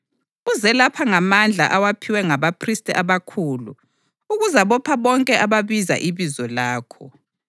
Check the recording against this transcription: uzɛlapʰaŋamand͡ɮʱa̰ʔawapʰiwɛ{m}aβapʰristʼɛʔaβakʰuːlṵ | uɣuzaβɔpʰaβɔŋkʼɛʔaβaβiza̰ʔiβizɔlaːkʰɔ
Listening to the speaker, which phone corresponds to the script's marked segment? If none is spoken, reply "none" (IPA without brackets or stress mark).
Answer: ŋ